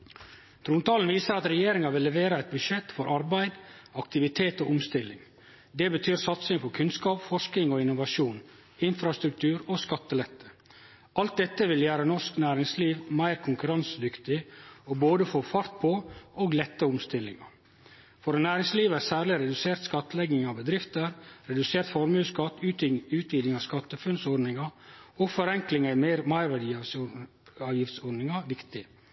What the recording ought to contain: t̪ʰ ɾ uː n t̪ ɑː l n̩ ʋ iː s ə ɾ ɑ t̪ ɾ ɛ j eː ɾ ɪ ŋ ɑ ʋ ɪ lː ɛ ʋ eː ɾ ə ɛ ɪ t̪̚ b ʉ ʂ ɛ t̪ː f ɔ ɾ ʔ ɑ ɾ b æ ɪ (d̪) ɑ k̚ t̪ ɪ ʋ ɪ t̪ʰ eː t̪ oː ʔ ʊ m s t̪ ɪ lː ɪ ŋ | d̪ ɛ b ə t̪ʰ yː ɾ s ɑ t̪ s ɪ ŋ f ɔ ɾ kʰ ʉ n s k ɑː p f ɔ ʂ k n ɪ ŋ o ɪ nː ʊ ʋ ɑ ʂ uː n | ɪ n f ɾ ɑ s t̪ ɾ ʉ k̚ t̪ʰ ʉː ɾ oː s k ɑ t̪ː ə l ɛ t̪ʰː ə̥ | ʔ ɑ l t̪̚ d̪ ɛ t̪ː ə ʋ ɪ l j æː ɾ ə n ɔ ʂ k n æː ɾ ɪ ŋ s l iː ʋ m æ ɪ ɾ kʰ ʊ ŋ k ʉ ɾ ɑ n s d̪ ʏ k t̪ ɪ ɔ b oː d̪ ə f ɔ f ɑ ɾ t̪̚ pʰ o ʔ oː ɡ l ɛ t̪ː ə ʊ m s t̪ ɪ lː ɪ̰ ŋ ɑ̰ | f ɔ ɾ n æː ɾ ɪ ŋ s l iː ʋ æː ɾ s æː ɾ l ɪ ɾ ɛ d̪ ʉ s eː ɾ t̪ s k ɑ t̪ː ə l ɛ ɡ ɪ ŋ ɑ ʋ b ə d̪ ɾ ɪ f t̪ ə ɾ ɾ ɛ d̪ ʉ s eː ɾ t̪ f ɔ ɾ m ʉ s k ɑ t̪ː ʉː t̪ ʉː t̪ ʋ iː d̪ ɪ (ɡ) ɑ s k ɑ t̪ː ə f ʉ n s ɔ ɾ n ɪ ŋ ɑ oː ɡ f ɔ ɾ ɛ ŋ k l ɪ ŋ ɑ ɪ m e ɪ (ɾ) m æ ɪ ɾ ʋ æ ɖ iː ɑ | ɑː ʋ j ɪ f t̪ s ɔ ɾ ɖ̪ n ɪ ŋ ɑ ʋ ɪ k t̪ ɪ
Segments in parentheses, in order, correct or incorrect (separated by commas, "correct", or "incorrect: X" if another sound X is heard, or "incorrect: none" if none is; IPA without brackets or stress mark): correct, incorrect: ŋ, correct